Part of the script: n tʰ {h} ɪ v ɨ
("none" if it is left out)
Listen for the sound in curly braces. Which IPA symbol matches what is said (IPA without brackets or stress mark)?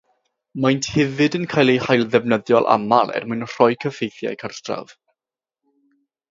h